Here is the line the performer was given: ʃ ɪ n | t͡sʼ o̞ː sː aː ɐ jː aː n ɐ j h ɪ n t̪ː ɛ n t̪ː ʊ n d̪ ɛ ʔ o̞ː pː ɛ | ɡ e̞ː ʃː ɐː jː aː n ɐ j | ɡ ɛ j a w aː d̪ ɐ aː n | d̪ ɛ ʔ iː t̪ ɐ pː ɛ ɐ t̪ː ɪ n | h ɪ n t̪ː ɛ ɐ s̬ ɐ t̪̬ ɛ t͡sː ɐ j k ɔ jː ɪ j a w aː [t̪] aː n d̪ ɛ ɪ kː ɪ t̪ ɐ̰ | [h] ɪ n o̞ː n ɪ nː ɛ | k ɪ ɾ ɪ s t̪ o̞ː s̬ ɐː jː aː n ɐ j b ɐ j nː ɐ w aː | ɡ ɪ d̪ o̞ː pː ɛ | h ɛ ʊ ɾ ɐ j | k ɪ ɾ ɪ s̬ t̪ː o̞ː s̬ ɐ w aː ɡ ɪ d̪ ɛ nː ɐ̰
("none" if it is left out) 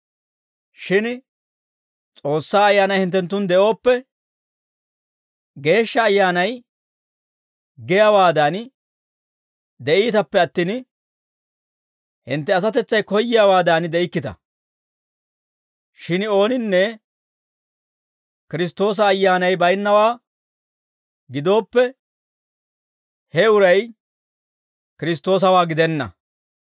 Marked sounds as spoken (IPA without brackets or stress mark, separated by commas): d̪, ʃ